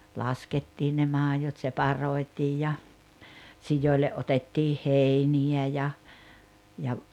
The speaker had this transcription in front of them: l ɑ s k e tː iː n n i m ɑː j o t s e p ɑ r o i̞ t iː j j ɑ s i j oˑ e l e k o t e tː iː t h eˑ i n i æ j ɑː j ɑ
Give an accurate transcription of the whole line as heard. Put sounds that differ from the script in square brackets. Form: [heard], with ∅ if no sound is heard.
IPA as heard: l ɑ s k e tː iː n n [e] m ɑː j o t s e p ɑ r o i̞ t iː j j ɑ s i j oˑ [i] l e [ʔ] o t e tː iː [∅] h eˑ i n i æ j [ɑ] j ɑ